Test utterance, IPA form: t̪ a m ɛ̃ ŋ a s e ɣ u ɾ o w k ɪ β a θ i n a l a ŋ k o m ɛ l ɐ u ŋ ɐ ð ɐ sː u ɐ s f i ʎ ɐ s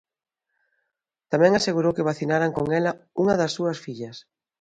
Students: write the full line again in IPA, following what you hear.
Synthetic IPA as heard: t̪ a m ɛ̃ ŋ a s e ɣ u ɾ o w k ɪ β a θ i n a ɾ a ŋ k o ŋ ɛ l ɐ u ŋ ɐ ð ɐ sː u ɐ s f i ʎ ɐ s